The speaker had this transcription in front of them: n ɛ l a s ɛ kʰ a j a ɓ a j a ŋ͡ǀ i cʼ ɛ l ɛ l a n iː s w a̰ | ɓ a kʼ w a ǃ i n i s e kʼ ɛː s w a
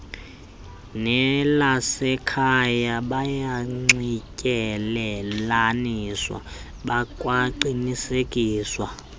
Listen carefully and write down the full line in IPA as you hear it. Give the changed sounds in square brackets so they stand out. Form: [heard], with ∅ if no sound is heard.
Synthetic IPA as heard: n ɛ l a s ɛ kʰ a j a ɓ a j a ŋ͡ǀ i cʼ ɛ l ɛ l a n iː s w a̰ | ɓ a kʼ w a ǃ i n i s e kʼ [iː] s w a